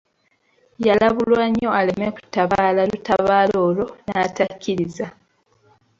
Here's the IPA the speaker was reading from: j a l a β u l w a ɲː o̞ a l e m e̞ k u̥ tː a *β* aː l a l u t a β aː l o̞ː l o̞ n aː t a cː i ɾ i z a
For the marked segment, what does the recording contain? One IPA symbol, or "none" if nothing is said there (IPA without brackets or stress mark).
β